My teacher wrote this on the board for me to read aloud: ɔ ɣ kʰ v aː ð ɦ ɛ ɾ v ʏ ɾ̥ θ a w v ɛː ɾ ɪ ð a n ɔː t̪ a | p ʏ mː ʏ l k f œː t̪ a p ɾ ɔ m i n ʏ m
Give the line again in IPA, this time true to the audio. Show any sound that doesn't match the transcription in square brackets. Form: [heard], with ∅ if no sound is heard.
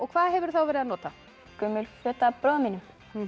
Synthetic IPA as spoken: ɔ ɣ kʰ v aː ð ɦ ɛ [∅] v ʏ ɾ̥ θ a w v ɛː ɾ ɪ ð a n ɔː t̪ a | [k] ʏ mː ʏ l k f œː t̪ a p ɾ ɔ m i n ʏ m